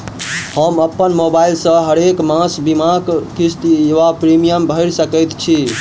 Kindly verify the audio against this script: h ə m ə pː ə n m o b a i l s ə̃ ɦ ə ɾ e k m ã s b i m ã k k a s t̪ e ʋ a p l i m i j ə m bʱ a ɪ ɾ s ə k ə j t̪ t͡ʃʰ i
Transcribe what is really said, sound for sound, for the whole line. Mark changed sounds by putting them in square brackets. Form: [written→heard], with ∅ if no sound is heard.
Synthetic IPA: h ə m ə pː ə n m o b a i l s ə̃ ɦ ə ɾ e k m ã s b i m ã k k [a→i] s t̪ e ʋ a p [l→ɾ] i m i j ə m bʱ [a→ə] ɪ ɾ s ə k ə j t̪ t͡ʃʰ i

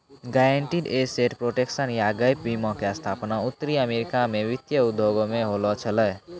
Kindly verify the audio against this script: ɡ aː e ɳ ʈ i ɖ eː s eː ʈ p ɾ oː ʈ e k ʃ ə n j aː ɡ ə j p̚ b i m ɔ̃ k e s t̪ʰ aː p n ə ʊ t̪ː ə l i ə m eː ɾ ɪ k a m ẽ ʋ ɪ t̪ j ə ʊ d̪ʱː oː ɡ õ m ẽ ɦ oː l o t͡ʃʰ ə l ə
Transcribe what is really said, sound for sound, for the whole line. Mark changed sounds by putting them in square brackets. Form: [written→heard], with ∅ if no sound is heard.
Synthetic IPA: ɡ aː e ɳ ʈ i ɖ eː s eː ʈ p ɾ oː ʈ e k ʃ ə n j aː ɡ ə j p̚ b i m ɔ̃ k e s t̪ʰ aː p n [ə→a] ʊ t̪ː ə [l→ɾ] i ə m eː ɾ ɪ k a m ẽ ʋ ɪ t̪ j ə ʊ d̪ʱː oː ɡ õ m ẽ ɦ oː l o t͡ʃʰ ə l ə

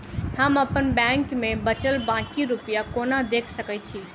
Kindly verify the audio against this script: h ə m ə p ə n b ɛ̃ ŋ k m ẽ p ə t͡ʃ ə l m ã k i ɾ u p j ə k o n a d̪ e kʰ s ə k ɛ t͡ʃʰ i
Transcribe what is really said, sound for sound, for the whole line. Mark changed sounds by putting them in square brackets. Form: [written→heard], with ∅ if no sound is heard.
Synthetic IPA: h ə m ə p ə n b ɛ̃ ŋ k m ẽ [p→b] ə t͡ʃ ə l [m→b] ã k i ɾ u p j [ə→a] k o n a d̪ e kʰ s ə k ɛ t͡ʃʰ i

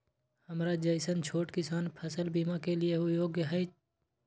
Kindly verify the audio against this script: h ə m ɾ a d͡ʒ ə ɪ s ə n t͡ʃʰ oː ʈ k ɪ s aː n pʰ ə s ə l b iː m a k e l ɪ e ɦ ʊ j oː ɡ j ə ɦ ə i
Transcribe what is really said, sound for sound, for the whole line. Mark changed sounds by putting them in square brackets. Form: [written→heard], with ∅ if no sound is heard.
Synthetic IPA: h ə m ɾ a d͡ʒ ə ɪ s ə n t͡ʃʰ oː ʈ k ɪ s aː n pʰ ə s ə l b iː m a k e l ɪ e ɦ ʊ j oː ɡ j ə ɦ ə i

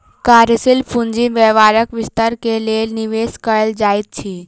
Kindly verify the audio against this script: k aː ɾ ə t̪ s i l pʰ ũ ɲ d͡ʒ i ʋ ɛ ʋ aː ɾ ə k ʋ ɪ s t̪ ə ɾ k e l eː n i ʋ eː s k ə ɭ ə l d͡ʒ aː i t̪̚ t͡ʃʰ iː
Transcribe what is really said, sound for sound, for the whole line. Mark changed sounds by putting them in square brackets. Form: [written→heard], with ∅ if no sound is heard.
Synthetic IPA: k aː ɾ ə [t̪→∅] s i l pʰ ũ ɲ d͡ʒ i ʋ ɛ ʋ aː ɾ ə k ʋ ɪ s t̪ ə ɾ k e l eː n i ʋ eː s k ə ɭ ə l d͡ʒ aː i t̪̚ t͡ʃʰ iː

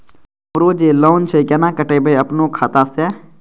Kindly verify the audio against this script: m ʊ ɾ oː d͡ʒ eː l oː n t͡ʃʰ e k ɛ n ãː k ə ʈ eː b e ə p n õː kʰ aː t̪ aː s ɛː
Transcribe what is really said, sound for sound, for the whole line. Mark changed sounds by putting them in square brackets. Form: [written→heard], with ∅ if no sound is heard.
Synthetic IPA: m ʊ ɾ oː d͡ʒ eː l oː n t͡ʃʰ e k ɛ n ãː k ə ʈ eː b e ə p n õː kʰ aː t̪ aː s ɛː

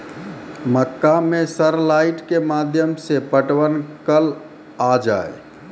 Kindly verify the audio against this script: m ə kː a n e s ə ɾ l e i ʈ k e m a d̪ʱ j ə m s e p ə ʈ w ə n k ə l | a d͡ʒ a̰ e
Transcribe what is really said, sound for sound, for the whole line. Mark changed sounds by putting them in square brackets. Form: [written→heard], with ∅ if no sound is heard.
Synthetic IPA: m ə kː a [n→m] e s ə ɾ l [e→a] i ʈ k e m a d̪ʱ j ə m s e p ə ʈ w ə n k ə l | a d͡ʒ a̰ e

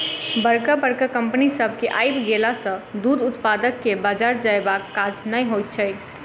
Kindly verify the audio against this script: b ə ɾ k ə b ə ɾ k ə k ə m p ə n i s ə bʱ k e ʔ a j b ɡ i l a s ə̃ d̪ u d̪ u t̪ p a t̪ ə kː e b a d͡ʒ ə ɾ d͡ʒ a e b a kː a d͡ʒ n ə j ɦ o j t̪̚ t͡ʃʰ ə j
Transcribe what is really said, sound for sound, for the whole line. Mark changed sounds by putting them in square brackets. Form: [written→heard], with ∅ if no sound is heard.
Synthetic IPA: b ə ɾ k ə b ə ɾ k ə k ə m p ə n i s ə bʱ k e ʔ a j b ɡ [i→e] l a s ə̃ d̪ u d̪ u t̪ p a [t̪→d̪] ə kː e b a d͡ʒ [ə→a] ɾ d͡ʒ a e b a kː a d͡ʒ n ə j ɦ o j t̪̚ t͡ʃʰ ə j

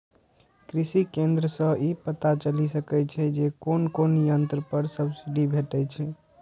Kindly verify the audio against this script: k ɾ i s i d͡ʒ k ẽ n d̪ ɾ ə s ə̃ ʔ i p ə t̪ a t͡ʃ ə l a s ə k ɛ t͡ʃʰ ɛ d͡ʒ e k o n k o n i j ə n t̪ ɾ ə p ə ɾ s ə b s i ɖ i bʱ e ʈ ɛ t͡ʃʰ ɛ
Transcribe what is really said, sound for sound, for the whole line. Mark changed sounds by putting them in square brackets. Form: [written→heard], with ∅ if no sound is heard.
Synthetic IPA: k ɾ i s i [d͡ʒ→∅] k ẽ n d̪ ɾ ə s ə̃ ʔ i p ə t̪ a t͡ʃ ə l [a→i] s ə k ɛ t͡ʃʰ ɛ d͡ʒ e k o n k o n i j ə n t̪ ɾ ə p ə ɾ s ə b s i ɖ i bʱ e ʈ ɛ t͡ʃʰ ɛ

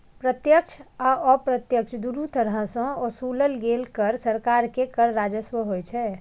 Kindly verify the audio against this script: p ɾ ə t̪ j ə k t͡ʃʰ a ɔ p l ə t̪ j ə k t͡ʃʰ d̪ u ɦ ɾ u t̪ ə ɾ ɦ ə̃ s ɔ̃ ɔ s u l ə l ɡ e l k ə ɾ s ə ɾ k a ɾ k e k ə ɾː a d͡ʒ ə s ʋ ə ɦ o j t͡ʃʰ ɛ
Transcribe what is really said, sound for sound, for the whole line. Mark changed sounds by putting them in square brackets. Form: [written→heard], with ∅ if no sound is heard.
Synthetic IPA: p ɾ ə t̪ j ə k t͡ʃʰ a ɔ p [l→ɾ] ə t̪ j ə k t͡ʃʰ d̪ u [ɦ→∅] ɾ u t̪ ə ɾ ɦ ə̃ s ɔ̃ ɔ s u l ə l ɡ e l k ə ɾ s ə ɾ k a ɾ k e k ə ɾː a d͡ʒ ə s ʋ ə ɦ o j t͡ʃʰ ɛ

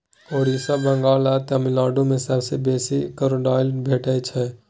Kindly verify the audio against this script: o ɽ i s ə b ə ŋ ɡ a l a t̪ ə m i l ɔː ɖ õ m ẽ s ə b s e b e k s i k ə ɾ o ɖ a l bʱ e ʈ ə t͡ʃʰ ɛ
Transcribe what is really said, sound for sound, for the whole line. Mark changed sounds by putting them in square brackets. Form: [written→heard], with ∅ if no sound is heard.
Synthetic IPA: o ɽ i s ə b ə ŋ ɡ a l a t̪ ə m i l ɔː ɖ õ m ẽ s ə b s e b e [k→∅] s i k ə ɾ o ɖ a l bʱ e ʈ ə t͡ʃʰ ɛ

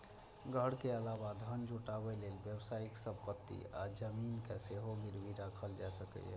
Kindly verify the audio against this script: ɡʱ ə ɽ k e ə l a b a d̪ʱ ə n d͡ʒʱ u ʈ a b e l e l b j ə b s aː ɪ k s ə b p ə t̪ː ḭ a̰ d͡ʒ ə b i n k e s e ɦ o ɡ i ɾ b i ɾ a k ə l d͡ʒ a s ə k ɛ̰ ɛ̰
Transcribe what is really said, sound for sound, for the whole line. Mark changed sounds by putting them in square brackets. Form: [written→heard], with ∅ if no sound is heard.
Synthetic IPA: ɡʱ ə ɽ k e ə l a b a d̪ʱ ə n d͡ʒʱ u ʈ a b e l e l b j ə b s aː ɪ k s ə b p ə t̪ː ḭ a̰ d͡ʒ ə [b→m] i n k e s e ɦ o ɡ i ɾ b i ɾ a [k→kʰ] ə l d͡ʒ a s ə k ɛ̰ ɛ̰

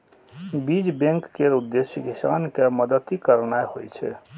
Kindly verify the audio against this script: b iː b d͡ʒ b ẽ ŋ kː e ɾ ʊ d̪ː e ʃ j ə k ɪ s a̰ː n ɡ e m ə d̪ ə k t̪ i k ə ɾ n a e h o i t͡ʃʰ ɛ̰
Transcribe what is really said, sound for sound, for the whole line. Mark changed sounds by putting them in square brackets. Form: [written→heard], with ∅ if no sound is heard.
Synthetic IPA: b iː [b→∅] d͡ʒ b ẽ ŋ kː e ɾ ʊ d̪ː e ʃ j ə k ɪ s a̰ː n [ɡ→k] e m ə d̪ ə [k→∅] t̪ i k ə ɾ n a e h o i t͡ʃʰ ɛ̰

